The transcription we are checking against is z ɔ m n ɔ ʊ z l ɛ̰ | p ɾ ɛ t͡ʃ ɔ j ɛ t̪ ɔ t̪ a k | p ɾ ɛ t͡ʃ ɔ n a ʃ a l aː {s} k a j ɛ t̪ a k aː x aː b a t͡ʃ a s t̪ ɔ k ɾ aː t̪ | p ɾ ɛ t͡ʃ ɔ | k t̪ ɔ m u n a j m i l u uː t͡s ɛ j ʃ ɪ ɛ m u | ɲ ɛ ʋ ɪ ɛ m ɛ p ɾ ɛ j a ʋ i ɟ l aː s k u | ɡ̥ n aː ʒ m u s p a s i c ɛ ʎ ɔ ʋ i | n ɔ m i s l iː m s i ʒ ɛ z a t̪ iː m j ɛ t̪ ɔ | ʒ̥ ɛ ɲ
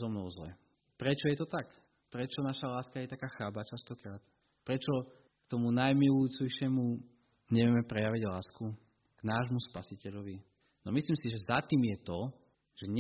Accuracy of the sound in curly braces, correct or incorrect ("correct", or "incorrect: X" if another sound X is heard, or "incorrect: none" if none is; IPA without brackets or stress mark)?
correct